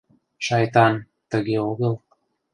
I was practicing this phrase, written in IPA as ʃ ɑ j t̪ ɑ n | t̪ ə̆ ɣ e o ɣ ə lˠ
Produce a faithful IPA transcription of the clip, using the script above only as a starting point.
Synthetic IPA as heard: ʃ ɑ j t̪ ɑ n | t̪ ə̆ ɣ e o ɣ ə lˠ